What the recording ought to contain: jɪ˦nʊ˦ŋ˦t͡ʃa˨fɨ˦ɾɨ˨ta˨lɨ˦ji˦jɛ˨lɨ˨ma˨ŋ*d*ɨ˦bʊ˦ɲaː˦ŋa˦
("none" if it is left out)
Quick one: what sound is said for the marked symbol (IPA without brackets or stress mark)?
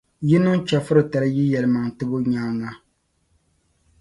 t